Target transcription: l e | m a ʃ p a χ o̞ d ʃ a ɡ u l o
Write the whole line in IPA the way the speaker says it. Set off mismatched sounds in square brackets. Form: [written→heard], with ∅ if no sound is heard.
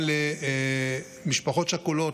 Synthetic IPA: l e | m [a→i] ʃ p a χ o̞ [d→t] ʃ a [ɡ→k] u l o